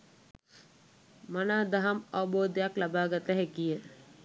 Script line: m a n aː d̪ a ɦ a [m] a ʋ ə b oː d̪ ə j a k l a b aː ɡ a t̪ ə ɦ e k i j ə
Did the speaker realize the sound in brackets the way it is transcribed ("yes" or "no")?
yes